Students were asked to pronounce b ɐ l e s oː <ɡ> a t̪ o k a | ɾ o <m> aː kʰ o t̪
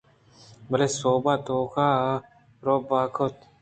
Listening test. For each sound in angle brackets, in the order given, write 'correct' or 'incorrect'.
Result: incorrect: b, incorrect: b

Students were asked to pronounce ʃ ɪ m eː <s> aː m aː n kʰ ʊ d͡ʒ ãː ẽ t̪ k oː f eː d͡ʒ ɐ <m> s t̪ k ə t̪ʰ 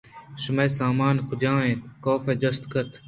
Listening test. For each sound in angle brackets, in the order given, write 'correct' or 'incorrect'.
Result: correct, incorrect: none

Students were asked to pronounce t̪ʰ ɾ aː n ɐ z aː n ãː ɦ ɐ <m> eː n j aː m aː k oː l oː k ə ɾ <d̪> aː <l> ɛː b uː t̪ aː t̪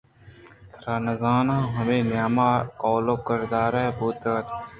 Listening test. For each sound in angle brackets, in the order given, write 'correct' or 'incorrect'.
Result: correct, correct, incorrect: ɾ

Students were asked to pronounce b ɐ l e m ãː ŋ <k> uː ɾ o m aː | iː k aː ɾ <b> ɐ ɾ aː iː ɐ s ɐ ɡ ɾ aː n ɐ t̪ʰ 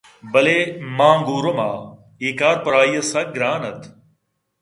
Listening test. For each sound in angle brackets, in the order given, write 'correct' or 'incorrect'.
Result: incorrect: ɡ, incorrect: p

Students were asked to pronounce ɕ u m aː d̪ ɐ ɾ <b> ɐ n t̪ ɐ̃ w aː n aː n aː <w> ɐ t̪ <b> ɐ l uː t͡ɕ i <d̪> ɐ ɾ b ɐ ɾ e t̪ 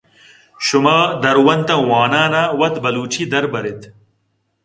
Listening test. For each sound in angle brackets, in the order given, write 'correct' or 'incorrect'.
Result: incorrect: w, correct, correct, correct

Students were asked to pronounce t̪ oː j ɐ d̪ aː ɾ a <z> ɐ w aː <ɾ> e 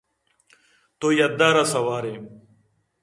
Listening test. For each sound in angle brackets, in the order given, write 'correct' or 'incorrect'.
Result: incorrect: s, correct

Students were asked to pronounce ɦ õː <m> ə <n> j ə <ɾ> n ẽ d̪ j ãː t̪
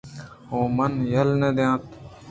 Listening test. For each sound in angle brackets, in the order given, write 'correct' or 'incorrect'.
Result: correct, correct, incorrect: l

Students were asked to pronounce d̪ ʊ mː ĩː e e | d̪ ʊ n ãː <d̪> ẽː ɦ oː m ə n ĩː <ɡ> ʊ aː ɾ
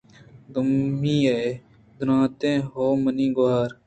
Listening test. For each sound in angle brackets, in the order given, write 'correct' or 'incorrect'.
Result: incorrect: t̪, correct

